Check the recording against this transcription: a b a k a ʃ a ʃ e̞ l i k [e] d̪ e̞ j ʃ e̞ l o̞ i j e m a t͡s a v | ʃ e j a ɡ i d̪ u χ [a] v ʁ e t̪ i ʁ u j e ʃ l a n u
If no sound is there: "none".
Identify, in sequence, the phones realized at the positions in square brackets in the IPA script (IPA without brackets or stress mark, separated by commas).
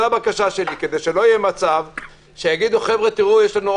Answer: e, e